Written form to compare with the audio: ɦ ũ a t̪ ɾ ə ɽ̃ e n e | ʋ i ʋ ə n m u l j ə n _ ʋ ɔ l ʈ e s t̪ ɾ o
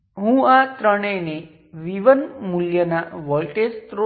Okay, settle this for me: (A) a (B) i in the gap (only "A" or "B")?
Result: A